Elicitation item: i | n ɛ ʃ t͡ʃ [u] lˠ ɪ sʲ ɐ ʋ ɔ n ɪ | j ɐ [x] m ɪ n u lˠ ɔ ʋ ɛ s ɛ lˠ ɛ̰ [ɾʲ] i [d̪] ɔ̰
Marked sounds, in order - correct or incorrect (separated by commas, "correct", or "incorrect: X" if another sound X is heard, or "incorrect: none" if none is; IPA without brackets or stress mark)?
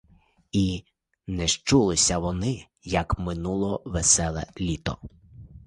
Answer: correct, incorrect: k, incorrect: lʲ, incorrect: t̪